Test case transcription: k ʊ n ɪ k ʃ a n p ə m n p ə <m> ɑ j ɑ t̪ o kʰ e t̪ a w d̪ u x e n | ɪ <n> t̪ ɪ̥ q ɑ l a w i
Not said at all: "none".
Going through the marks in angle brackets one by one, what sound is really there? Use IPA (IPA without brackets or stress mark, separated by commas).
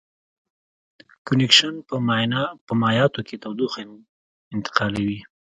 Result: m, n